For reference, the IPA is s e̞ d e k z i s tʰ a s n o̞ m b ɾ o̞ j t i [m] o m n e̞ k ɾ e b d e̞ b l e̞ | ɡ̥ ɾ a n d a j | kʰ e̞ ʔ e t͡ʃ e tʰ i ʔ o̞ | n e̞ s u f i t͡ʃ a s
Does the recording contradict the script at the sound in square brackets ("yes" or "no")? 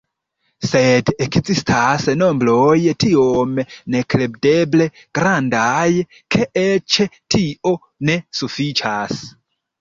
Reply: yes